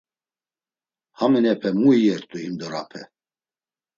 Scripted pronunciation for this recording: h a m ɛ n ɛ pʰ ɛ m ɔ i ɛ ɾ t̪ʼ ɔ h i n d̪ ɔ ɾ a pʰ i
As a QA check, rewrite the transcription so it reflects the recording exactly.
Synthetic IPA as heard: h a m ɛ n ɛ pʰ ɛ m u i ɛ ɾ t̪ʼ u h i m d̪ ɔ ɾ a pʰ ɛ